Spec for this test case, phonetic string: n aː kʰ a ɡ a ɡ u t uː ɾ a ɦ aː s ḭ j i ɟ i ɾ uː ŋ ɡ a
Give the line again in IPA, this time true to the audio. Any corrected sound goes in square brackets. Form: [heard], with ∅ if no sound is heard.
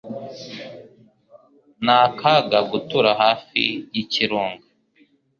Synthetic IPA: n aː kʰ a ɡ a ɡ u t [u] ɾ a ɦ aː [f] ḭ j i [c] i ɾ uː ŋ ɡ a